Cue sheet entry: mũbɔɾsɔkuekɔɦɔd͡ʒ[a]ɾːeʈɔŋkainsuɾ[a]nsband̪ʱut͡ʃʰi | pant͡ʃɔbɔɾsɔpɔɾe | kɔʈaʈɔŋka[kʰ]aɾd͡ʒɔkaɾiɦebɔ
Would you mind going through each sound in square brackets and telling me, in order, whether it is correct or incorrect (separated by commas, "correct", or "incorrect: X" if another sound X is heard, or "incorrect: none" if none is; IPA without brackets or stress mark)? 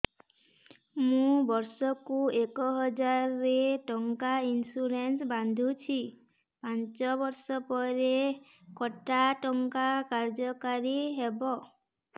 correct, incorrect: e, incorrect: k